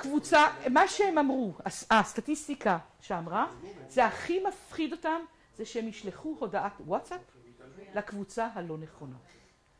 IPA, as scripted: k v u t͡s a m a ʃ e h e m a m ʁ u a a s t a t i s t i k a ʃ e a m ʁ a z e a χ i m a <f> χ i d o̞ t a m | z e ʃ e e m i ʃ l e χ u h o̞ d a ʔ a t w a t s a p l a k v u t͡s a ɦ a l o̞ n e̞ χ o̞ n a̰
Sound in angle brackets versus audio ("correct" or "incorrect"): correct